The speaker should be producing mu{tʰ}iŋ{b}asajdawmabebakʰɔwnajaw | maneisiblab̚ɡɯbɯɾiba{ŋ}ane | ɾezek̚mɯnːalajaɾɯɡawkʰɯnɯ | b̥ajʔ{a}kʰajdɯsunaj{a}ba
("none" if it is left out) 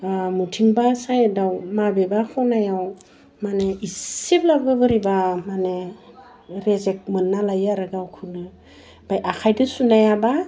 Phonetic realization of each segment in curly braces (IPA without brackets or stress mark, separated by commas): tʰ, b, m, a, a